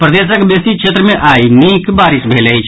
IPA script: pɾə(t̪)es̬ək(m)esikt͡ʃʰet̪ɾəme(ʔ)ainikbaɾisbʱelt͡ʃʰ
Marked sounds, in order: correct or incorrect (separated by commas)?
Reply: incorrect, incorrect, correct